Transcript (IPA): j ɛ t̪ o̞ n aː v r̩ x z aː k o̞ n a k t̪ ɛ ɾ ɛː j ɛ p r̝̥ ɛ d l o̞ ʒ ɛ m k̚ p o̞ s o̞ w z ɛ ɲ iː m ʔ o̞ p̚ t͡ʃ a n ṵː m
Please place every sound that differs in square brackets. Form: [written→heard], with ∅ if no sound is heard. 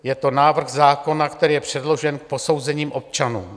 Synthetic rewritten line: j ɛ t̪ o̞ n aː v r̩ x z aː k o̞ n a k t̪ ɛ ɾ [ɛː→iː] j ɛ p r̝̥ ɛ d l o̞ ʒ ɛ [m→n] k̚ p o̞ s o̞ w z ɛ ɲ iː m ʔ o̞ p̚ t͡ʃ a n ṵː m